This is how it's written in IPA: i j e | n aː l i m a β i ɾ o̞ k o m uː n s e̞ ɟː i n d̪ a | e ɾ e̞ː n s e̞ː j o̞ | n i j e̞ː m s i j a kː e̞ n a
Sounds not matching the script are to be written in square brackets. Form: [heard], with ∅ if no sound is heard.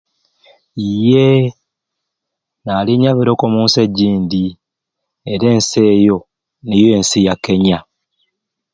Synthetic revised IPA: i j e | n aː l i [ɲ] a β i ɾ o̞ k o m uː n s e̞ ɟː [iː] n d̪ [i] | e ɾ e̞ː n s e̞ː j o̞ | n i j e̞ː [n] s i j a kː e̞ [ɲ] a